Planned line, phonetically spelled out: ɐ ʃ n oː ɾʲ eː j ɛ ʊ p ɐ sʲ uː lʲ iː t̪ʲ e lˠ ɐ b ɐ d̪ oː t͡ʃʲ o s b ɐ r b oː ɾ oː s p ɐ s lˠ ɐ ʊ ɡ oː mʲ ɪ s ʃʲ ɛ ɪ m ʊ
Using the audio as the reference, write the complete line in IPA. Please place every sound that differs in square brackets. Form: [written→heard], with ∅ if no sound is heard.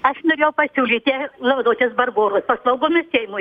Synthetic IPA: ɐ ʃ n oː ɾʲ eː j ɛ ʊ p ɐ sʲ uː lʲ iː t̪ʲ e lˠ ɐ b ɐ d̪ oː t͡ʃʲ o s b ɐ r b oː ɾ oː s p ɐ s lˠ ɐ ʊ ɡ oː mʲ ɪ s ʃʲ ɛ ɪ m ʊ